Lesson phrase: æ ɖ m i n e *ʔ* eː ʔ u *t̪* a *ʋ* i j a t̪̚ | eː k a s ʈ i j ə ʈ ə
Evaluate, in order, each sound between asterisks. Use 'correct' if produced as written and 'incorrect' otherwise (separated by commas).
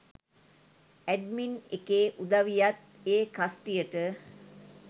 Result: incorrect, incorrect, correct